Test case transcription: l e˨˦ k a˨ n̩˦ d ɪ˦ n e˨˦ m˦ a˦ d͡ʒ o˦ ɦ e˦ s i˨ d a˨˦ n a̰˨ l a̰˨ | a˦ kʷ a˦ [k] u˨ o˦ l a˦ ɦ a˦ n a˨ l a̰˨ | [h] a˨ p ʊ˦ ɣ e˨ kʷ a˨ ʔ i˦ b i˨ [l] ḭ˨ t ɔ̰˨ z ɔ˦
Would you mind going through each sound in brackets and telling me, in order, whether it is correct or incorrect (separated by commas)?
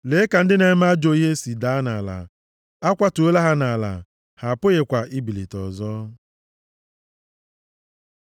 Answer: incorrect, correct, correct